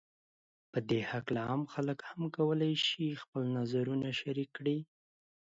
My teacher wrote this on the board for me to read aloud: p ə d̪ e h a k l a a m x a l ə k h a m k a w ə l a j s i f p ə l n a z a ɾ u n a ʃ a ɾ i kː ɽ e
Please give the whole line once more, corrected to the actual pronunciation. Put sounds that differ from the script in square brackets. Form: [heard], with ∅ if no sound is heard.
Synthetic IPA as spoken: p ə d̪ e h a k l a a m x a l ə k h a m k a w ə l a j [ʃ] i [x] p ə l n a z a ɾ u n a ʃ a ɾ i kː ɽ [i]